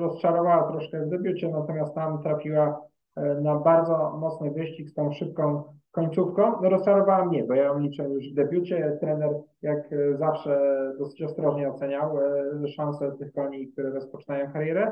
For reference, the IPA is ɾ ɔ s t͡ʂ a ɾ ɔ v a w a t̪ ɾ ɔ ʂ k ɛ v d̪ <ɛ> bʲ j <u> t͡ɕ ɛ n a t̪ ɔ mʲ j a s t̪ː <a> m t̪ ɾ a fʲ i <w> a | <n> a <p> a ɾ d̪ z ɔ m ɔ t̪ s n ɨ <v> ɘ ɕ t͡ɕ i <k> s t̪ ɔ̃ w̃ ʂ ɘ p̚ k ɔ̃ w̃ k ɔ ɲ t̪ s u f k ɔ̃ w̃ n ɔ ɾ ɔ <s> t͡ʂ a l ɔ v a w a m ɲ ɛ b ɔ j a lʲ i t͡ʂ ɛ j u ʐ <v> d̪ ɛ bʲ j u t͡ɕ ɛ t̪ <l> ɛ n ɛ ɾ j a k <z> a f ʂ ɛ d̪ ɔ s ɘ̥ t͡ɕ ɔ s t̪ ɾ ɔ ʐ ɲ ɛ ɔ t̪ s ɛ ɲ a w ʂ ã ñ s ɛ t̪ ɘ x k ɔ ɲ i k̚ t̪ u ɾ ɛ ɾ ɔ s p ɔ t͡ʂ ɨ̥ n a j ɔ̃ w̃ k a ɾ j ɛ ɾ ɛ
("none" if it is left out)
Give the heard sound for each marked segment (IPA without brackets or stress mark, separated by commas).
ɛ, u, a, w, n, b, v, k, s, v, ɾ, z